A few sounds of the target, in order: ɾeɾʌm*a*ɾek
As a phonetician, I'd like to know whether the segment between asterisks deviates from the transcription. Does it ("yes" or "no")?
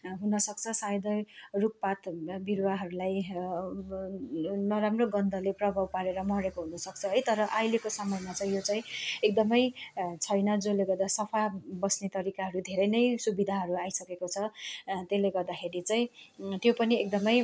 yes